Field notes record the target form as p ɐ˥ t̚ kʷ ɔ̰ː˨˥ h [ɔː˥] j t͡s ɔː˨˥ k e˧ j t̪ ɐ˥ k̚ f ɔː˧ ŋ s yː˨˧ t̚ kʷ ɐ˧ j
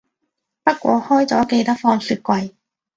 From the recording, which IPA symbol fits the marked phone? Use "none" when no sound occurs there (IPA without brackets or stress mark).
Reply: ɔː˥